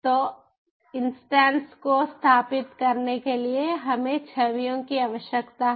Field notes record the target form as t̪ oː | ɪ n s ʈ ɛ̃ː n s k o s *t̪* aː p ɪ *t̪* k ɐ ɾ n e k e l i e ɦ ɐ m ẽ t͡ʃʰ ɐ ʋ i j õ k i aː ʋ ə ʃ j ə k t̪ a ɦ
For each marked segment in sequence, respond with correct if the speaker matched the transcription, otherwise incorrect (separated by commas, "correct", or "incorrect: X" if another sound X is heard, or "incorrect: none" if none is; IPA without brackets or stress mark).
incorrect: t̪ʰ, correct